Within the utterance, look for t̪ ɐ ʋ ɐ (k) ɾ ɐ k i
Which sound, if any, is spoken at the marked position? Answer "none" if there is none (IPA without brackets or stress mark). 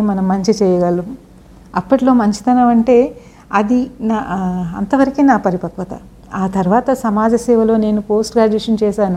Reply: none